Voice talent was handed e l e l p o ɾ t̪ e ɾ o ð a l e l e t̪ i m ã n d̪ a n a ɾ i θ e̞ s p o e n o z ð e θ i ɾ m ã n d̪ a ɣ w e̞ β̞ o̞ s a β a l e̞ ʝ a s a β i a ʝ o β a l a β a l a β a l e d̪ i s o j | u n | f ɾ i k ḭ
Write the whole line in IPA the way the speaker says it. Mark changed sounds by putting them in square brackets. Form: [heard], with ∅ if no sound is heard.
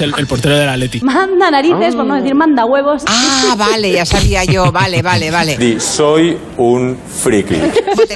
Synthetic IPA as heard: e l e l p o ɾ t̪ e ɾ o ð [e] l [a] l e t̪ i m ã n d̪ a n a ɾ i θ e̞ s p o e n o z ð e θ i ɾ m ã n d̪ a ɣ w e̞ β̞ o̞ s a β a l e̞ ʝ a s a β i a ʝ o β a l [e] β a l [e] β a l e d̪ i s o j | u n | f ɾ i k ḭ